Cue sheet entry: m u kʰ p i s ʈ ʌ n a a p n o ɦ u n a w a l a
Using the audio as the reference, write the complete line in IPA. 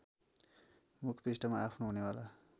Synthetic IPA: m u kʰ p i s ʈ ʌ m a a pʰ n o ɦ u n e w a l a